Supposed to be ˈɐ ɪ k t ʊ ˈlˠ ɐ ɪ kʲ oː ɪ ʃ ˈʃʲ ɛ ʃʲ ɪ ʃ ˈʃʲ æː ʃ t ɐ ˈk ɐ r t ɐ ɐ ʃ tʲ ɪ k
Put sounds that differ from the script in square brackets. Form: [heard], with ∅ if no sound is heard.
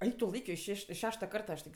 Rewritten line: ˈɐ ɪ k t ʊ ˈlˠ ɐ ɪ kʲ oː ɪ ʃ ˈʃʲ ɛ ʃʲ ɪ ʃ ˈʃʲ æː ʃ t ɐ ˈk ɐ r t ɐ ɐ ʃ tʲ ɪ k